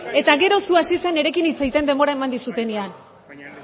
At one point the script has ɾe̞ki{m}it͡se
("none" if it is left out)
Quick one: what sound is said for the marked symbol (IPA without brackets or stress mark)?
n